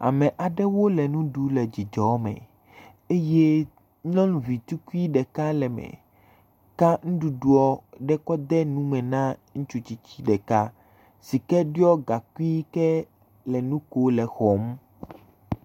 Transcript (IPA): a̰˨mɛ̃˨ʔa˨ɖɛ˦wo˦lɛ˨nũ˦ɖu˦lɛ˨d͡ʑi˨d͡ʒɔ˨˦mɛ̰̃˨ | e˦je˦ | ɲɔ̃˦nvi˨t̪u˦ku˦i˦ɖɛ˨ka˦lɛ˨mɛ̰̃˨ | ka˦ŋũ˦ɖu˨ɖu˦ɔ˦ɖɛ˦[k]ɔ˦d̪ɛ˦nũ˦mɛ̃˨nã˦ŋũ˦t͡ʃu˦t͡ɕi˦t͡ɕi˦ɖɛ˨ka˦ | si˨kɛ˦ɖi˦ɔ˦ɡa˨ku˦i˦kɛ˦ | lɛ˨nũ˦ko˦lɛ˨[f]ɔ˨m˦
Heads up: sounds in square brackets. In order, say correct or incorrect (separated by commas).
correct, incorrect